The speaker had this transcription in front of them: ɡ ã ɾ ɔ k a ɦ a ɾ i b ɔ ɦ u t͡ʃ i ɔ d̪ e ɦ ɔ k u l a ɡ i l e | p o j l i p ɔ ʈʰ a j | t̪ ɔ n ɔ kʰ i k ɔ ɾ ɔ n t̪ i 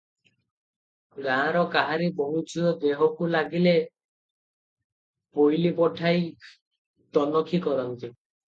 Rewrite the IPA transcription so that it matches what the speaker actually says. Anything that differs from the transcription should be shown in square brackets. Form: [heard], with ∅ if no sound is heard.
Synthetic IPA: ɡ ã ɾ ɔ k a ɦ a ɾ i b ɔ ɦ u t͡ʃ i ɔ d̪ e ɦ ɔ k u l a ɡ i l e | p o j l i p ɔ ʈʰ a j | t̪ ɔ n ɔ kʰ i k ɔ ɾ ɔ n t̪ i